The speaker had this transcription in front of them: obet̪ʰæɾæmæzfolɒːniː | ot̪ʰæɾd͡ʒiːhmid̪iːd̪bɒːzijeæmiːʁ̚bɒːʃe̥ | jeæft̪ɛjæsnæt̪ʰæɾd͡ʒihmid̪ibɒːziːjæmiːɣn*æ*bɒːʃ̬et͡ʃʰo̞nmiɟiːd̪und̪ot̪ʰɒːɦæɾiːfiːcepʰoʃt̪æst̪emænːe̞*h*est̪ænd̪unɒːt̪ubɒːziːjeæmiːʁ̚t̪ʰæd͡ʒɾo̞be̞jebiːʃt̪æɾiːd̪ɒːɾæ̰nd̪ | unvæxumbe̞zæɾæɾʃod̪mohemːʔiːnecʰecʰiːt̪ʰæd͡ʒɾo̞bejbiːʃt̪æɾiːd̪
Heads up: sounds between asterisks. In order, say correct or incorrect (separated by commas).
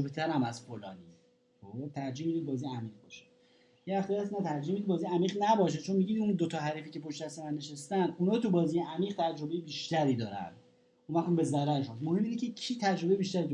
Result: correct, incorrect